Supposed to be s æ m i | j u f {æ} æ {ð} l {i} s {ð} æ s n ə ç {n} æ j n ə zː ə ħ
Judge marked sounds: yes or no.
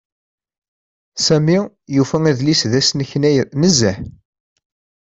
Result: yes, yes, yes, yes, yes

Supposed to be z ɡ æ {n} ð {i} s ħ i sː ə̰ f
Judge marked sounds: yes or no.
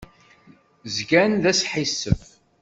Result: yes, no

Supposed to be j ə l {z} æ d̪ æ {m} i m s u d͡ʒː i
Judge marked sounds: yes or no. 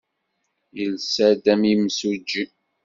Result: no, yes

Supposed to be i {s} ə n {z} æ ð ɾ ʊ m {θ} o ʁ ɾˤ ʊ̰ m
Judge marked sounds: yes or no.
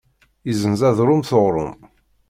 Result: no, yes, yes

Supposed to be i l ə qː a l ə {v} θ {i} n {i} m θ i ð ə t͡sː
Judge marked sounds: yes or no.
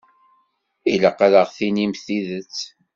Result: no, yes, yes

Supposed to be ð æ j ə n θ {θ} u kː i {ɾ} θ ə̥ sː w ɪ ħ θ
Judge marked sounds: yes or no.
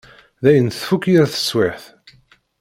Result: no, yes

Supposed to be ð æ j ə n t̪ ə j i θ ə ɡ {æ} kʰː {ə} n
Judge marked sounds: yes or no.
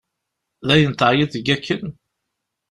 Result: yes, yes

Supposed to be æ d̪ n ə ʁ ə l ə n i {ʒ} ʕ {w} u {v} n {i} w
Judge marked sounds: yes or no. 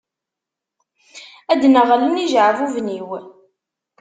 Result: yes, no, yes, yes

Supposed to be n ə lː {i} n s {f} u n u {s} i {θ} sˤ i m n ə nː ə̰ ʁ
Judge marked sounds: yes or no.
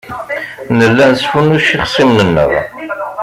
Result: no, yes, no, no

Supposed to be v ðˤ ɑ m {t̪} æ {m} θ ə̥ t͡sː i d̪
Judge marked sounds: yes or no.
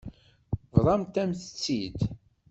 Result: yes, yes

